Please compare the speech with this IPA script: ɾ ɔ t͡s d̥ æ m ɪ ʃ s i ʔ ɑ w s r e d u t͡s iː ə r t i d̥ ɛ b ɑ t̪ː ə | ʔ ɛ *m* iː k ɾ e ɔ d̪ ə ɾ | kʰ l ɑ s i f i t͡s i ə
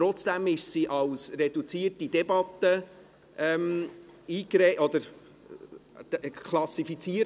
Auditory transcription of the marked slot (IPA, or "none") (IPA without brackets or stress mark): m